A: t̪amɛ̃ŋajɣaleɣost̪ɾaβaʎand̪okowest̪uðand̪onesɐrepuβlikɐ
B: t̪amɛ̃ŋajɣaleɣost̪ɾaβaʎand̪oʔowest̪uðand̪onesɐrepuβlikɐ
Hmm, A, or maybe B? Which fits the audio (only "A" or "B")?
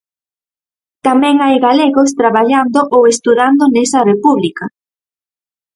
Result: B